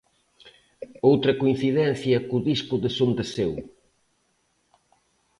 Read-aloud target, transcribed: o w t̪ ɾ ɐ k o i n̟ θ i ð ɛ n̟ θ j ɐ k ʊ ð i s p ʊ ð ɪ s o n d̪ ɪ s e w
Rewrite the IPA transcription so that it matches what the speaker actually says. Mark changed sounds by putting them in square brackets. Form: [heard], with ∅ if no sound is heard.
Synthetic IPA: o w t̪ ɾ ɐ k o i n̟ θ i ð ɛ n̟ θ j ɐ k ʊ ð i s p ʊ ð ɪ s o n d̪ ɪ s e w